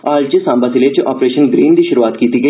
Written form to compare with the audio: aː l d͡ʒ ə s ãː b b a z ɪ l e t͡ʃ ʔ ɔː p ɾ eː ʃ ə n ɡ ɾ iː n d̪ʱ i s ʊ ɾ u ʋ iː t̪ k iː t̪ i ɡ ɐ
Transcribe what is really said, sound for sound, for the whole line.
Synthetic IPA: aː l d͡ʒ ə s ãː m b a s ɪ l e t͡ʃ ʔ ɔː p ɾ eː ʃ ə n ɡ ɾ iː n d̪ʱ i ʃ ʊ ɾ u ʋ aː t̪ k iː t̪ i ɡ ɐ

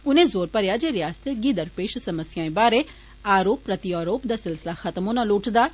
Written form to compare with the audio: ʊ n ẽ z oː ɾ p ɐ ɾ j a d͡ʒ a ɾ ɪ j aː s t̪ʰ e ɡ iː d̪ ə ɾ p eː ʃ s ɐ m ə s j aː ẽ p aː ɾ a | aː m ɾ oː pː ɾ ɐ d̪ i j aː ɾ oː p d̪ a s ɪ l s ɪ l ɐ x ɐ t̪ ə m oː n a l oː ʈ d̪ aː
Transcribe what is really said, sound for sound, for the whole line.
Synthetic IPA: ʊ n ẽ z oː ɾ p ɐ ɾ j a d͡ʒ e ɾ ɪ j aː s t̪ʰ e ɡ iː d̪ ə ɾ p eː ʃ s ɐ m ə s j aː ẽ b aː ɾ e | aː ɾ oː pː ɾ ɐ t̪ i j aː ɾ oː p d̪ a s ɪ l s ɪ l a x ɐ t̪ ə m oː n a l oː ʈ d̪ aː

